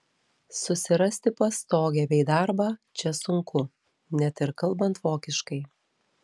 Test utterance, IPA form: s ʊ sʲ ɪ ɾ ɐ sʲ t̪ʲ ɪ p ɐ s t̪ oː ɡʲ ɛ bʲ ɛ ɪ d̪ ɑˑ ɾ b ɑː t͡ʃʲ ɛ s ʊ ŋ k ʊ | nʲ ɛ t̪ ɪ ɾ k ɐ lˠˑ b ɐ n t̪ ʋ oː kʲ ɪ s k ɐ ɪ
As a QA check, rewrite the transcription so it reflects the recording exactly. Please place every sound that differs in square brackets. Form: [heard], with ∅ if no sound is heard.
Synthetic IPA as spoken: s ʊ sʲ ɪ ɾ ɐ sʲ t̪ʲ ɪ p ɐ s t̪ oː ɡʲ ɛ bʲ ɛ ɪ d̪ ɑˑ ɾ b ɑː t͡ʃʲ ɛ s ʊ ŋ k ʊ | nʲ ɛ t̪ ɪ ɾ k ɐ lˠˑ b ɐ n t̪ ʋ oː kʲ ɪ [ʃ] k ɐ ɪ